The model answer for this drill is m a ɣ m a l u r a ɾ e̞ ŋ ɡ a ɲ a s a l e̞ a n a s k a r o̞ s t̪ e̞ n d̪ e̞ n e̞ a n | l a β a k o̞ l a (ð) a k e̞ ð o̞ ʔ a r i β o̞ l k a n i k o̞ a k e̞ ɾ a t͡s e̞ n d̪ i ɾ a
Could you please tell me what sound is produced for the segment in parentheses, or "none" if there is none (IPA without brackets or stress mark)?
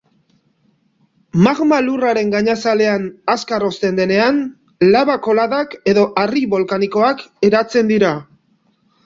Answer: ð